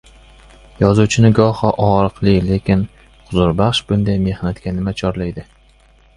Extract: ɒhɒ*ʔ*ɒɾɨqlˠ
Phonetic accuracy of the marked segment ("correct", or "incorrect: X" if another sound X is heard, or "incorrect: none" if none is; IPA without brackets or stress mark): correct